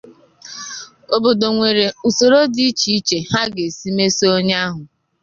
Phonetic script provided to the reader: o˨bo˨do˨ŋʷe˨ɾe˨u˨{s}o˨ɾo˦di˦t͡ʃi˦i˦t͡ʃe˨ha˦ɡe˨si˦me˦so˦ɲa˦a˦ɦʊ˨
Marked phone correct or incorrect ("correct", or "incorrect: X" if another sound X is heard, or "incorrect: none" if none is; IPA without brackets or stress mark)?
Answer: correct